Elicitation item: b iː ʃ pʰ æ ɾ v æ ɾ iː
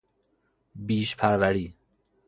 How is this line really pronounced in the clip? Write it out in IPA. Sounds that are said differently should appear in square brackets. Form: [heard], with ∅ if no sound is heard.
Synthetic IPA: b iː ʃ pʰ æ ɾ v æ ɾ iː